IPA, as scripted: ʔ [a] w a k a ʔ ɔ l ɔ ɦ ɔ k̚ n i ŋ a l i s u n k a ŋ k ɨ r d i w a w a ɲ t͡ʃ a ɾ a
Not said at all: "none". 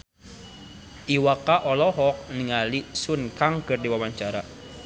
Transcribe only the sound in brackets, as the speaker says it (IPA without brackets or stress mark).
i